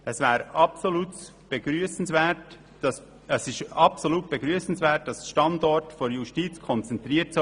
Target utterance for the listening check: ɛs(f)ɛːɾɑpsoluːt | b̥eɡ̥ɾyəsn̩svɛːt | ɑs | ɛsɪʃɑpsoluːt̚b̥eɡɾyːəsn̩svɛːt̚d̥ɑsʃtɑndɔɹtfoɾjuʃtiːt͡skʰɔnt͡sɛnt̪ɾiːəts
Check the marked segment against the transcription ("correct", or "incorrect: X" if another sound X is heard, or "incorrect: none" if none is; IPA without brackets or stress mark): incorrect: v